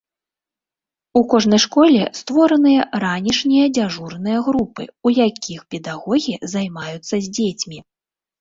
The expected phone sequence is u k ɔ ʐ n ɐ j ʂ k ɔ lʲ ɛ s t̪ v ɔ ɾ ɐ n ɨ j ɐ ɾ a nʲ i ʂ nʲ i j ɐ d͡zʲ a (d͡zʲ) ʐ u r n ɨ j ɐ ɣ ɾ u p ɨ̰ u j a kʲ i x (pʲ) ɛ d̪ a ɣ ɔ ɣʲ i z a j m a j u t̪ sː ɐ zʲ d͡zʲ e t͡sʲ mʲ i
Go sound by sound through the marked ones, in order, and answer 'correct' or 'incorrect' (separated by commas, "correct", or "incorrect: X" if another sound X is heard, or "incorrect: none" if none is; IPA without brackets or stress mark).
incorrect: none, correct